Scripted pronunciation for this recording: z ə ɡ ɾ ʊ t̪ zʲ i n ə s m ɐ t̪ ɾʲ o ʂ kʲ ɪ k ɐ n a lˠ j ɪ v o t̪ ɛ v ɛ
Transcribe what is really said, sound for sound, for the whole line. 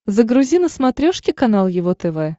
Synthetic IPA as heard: z ə ɡ ɾ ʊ zʲ i n ə s m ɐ t̪ ɾʲ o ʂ kʲ ɪ k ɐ n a lˠ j ɪ v o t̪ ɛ v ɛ